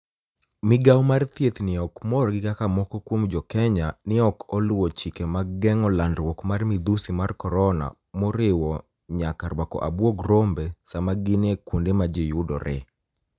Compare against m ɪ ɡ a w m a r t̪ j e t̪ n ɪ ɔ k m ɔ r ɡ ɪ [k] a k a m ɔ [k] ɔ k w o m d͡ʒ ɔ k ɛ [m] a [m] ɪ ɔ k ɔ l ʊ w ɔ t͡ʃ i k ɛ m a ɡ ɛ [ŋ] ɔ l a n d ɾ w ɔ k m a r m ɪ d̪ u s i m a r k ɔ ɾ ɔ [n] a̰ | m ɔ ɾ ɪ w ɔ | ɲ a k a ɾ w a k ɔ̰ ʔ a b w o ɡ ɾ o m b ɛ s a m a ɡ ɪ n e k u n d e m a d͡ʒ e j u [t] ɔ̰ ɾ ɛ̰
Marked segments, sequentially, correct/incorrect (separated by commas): correct, correct, incorrect, incorrect, correct, correct, incorrect